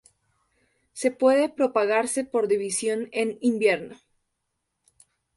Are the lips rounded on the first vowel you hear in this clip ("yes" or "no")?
no